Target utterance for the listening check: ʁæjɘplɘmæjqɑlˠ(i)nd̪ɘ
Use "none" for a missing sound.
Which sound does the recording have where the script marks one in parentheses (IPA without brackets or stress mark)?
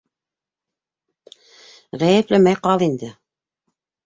i